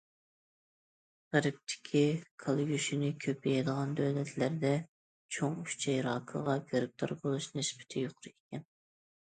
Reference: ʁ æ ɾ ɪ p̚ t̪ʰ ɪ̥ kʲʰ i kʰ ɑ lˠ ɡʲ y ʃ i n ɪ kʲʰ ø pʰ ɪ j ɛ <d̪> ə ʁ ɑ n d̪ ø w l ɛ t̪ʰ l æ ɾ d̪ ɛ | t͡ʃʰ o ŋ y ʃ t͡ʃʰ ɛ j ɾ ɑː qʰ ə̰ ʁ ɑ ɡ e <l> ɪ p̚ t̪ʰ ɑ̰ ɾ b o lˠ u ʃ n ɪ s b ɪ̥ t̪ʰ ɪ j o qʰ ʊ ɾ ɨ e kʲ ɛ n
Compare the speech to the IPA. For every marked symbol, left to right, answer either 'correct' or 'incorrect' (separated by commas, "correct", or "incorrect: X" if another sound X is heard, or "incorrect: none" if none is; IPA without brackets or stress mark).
correct, incorrect: ɾ